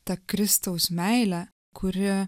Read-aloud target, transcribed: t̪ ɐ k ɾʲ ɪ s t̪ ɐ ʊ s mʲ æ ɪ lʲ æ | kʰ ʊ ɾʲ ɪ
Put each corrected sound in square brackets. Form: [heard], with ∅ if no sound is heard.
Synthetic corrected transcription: t̪ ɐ k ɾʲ ɪ s t̪ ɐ ʊ s mʲ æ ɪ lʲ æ | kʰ ʊ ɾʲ ɪ

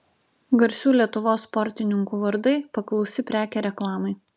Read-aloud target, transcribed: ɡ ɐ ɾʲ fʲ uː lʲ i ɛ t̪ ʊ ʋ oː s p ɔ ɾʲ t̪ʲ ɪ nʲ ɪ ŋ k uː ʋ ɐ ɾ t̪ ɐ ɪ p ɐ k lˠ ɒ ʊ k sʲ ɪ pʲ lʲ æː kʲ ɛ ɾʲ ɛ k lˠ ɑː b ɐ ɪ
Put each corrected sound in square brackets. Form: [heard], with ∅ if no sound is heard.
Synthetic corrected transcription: ɡ ɐ ɾʲ [sʲ] uː lʲ i ɛ t̪ ʊ ʋ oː s p ɔ ɾʲ t̪ʲ ɪ nʲ ɪ ŋ k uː ʋ ɐ ɾ [d̪] ɐ ɪ p ɐ k lˠ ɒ ʊ [∅] sʲ ɪ pʲ [ɾʲ] æː kʲ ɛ ɾʲ ɛ k lˠ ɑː [m] ɐ ɪ

